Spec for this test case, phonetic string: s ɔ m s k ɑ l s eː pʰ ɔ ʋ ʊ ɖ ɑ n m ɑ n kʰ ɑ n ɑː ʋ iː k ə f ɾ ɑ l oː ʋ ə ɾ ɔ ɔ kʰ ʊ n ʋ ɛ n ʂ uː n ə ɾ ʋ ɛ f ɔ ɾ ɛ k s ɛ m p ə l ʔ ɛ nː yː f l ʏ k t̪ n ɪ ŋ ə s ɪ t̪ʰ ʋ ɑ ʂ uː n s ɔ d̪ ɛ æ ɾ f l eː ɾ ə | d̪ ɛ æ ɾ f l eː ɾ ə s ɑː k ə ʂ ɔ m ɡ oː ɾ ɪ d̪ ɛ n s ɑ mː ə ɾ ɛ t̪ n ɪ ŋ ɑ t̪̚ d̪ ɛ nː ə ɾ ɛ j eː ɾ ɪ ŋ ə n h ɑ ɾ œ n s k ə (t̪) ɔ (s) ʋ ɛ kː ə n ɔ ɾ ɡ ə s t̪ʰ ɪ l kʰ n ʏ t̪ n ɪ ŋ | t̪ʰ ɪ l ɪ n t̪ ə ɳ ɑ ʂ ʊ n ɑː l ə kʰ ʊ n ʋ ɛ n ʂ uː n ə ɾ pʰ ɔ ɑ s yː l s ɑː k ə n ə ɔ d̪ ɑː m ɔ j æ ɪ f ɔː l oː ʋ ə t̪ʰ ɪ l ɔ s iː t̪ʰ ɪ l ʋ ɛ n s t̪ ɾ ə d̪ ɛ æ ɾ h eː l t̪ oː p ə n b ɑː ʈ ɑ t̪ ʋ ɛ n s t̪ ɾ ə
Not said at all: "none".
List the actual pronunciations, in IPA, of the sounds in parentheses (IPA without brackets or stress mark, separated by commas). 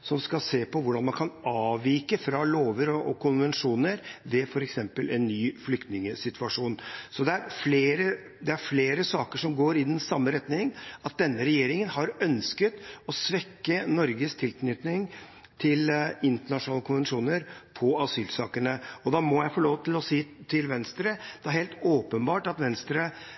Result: t̪, s